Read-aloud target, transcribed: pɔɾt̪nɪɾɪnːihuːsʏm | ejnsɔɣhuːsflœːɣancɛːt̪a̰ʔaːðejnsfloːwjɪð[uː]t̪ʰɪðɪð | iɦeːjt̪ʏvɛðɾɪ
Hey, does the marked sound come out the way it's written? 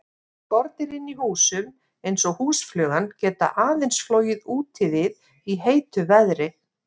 yes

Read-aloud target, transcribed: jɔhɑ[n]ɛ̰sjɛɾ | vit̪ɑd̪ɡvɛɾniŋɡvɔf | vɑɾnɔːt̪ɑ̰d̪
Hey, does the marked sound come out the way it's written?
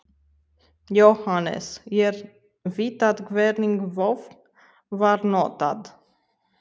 yes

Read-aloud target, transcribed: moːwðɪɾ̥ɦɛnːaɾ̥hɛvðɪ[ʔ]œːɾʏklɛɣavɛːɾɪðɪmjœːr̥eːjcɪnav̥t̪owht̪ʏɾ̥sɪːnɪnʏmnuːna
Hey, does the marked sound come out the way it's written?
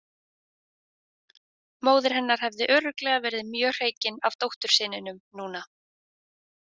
yes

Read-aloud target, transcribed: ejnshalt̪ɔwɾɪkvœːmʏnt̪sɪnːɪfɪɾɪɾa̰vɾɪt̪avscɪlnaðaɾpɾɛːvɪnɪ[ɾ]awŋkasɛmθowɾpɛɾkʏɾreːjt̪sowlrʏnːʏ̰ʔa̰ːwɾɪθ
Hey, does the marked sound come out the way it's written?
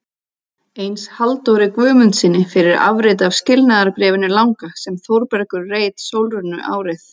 no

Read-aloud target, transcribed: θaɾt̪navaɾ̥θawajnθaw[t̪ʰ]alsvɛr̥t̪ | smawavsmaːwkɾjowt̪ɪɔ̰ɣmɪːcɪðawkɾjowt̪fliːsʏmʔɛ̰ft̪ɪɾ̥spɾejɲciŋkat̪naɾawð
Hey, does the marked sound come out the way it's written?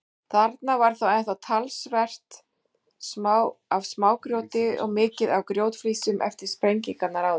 yes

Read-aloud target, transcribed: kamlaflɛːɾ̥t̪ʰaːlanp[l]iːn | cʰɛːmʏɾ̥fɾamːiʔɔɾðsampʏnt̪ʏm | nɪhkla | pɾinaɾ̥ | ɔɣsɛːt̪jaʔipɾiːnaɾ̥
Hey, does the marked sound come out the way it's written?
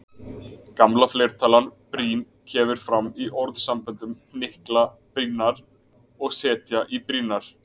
no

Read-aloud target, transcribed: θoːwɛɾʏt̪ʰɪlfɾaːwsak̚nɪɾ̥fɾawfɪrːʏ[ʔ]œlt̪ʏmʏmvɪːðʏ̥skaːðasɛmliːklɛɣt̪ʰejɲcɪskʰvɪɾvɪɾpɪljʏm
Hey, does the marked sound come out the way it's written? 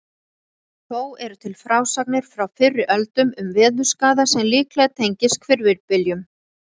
yes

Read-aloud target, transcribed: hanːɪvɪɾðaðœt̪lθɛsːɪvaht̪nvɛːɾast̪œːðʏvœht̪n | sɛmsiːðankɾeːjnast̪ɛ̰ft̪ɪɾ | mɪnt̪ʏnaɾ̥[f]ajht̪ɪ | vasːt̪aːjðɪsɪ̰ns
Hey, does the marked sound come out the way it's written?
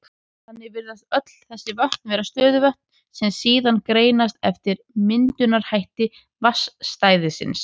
no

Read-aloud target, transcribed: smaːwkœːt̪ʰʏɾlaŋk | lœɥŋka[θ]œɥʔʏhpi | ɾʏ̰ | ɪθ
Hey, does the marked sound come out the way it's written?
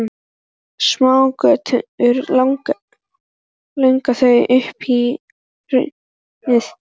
yes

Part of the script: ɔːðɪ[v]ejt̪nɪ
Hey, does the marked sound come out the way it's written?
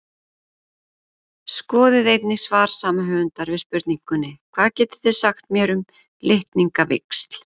no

